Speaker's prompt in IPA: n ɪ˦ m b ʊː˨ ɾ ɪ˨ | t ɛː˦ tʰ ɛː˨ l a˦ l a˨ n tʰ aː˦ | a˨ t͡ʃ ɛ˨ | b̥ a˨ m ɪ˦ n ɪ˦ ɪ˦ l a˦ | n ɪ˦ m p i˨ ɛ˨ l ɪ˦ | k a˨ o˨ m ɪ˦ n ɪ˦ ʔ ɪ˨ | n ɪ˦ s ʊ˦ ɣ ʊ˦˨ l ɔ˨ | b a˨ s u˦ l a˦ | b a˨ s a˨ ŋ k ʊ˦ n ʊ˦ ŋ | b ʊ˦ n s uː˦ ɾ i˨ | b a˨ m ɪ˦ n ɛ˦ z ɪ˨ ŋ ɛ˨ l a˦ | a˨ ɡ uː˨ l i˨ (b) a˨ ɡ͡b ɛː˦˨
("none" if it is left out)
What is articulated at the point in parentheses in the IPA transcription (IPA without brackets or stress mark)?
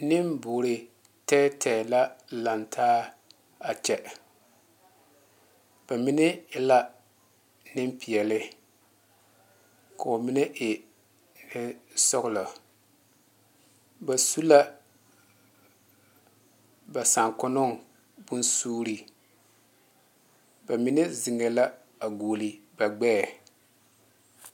b